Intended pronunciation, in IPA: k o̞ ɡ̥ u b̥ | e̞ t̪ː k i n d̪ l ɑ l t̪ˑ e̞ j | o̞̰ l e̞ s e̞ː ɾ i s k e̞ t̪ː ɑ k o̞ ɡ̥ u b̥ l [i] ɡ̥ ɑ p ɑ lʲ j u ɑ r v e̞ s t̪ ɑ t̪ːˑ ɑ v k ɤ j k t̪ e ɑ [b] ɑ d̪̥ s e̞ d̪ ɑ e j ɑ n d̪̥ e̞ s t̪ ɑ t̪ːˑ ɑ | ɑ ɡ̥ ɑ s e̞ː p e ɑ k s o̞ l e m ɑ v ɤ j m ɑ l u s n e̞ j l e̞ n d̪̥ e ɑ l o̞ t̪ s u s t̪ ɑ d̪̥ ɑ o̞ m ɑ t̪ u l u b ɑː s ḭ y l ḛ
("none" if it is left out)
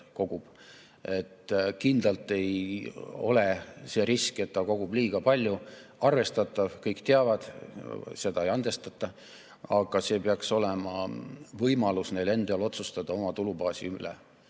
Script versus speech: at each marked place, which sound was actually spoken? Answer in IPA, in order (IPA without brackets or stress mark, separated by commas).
iː, v